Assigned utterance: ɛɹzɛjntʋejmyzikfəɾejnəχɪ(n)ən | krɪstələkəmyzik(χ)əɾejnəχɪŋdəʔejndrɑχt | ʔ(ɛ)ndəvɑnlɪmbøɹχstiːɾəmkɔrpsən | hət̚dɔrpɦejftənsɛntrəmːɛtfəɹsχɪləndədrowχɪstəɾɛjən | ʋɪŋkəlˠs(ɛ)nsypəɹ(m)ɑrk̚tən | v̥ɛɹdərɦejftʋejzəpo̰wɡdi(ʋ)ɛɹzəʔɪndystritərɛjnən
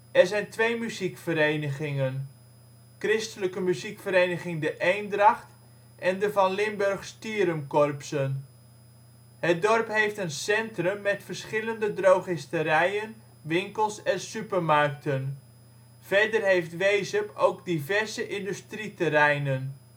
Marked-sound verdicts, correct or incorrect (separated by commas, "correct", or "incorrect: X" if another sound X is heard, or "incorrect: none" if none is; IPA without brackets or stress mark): incorrect: ŋ, incorrect: f, correct, correct, correct, incorrect: v